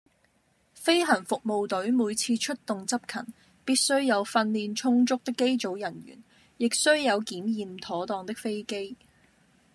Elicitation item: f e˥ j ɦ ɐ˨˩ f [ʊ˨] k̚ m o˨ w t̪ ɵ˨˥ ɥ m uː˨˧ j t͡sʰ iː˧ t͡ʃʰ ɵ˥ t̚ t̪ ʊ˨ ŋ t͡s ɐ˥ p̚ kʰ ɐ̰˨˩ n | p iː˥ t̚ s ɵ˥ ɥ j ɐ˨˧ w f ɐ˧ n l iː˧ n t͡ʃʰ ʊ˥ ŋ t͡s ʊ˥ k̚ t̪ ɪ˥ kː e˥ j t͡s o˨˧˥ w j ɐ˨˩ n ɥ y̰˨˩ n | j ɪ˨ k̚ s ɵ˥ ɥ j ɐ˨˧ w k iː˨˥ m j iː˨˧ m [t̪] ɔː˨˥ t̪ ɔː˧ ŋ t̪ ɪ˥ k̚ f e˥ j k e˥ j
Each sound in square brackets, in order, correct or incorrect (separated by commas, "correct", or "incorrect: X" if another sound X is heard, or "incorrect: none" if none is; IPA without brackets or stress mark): correct, incorrect: t̪ʰ